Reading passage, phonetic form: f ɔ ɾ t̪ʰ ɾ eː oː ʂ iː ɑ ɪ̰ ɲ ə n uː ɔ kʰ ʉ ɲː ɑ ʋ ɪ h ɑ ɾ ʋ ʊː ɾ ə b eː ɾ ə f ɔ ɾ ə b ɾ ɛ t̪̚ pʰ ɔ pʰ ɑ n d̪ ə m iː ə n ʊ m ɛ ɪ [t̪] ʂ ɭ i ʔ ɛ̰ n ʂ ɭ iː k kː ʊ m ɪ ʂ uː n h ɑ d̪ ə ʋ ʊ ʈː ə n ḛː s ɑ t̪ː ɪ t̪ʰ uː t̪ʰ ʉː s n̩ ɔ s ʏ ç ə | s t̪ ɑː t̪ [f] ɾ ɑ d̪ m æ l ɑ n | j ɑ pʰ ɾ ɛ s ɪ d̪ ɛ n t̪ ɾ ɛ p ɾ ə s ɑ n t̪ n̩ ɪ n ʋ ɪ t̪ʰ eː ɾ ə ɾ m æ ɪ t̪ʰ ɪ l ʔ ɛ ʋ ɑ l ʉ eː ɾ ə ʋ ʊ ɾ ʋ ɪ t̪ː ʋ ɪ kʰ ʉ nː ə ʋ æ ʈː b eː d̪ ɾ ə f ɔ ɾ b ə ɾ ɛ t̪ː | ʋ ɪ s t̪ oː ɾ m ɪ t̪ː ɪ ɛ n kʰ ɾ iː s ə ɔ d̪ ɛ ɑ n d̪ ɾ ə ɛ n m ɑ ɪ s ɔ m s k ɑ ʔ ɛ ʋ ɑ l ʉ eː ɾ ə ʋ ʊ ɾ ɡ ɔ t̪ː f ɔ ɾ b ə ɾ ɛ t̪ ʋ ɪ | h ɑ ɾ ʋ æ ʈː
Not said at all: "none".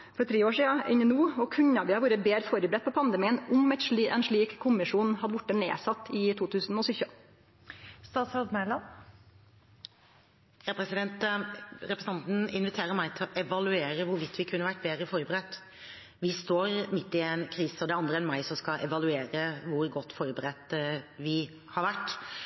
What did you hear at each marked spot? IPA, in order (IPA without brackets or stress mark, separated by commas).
t̪, s